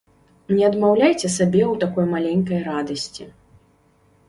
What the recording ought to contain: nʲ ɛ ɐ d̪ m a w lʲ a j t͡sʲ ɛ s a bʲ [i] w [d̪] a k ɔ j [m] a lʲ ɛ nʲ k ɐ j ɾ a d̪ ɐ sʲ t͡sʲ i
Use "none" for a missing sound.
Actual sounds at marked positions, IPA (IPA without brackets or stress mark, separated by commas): ɛ, t̪, m